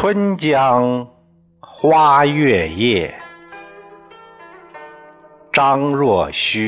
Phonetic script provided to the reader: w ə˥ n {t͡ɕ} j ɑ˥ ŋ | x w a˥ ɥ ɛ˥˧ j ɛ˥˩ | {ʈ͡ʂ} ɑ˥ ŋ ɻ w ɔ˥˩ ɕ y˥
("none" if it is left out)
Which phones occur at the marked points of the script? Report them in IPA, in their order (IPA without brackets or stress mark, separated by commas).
t͡ɕ, ʈ͡ʂ